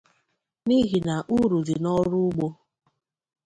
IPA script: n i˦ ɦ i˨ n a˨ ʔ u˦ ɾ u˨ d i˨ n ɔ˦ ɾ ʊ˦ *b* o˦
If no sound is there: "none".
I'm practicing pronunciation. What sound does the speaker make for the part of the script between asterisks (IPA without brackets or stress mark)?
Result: ɡ͡b